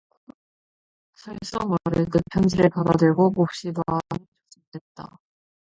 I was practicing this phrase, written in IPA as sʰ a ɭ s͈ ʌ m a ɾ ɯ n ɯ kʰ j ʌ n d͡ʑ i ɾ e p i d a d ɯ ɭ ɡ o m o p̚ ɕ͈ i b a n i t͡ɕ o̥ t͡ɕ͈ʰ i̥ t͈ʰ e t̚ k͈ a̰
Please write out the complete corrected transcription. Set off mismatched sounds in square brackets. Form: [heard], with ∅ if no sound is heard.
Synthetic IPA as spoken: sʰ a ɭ s͈ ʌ m a ɾ ɯ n ɯ [pʰ] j ʌ n d͡ʑ i ɾ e p [a] d a d ɯ ɭ ɡ o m o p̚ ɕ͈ i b a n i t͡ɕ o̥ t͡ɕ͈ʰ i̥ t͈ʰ e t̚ [t͈] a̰